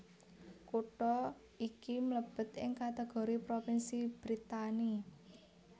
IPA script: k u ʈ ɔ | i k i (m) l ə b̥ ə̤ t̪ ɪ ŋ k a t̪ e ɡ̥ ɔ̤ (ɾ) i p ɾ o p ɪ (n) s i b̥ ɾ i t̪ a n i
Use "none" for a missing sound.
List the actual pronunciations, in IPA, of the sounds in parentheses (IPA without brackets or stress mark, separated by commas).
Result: m, ɾ, n